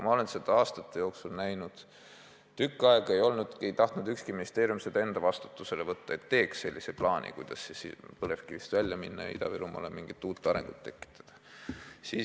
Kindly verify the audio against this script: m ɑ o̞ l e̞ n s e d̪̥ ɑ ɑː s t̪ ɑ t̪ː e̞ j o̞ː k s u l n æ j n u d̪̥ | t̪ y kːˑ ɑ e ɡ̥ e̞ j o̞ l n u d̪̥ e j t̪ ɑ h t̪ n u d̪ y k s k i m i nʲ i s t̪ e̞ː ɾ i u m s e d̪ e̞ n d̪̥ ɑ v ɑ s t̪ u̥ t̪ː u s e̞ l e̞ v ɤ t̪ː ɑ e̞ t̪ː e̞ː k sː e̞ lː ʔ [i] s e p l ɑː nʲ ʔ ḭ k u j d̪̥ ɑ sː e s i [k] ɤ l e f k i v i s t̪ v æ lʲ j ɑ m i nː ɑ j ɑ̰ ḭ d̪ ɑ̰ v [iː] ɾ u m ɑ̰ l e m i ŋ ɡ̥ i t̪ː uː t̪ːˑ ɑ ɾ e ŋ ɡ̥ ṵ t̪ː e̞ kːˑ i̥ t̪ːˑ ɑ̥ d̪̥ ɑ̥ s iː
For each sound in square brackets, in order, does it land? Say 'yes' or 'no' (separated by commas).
yes, no, no